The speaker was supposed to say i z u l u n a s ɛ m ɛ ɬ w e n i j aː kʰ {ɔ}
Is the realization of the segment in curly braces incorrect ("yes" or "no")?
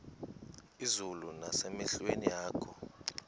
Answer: no